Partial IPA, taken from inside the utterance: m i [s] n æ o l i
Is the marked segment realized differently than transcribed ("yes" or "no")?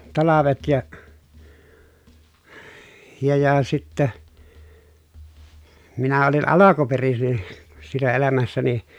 yes